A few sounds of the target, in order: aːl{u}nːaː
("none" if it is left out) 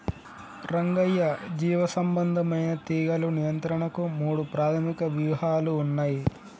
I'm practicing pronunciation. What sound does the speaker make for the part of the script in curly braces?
uː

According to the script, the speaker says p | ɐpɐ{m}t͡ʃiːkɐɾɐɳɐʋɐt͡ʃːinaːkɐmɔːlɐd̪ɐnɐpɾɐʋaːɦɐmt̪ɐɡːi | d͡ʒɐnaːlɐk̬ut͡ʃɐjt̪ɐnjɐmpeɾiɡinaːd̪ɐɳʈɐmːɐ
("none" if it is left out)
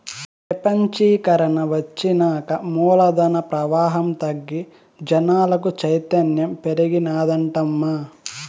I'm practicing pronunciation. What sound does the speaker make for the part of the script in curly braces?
ɲ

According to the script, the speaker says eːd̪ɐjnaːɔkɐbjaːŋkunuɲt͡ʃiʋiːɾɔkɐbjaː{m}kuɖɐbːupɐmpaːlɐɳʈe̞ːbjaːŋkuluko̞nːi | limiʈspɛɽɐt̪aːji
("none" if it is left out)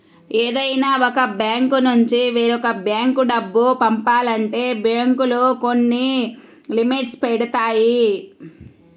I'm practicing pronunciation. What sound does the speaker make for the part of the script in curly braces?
ŋ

